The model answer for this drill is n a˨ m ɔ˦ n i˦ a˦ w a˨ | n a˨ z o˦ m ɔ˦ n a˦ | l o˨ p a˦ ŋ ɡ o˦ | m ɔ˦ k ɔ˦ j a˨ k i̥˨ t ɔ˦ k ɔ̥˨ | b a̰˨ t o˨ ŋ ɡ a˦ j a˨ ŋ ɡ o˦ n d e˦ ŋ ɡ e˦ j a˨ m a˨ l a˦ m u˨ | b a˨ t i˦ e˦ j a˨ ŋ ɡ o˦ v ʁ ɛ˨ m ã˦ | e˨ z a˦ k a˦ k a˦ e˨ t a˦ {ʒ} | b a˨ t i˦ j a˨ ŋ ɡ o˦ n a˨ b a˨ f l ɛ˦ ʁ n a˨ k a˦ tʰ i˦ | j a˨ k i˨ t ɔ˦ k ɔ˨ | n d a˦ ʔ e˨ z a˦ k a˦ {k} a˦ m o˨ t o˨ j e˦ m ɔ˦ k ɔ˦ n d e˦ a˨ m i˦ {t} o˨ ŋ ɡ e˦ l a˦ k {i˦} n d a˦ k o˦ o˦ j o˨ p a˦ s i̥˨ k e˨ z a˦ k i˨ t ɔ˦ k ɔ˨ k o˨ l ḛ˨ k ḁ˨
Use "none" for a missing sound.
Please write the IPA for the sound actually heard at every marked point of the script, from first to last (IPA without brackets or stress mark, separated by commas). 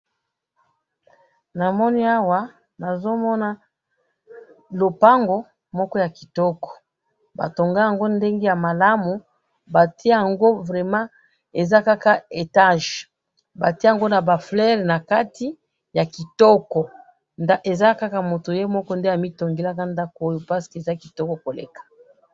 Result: ʒ, k, t, a˦